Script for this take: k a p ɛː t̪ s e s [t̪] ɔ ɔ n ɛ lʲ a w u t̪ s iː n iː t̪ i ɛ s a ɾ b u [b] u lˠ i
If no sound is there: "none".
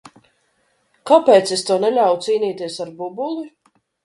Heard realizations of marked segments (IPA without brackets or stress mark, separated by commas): t̪, b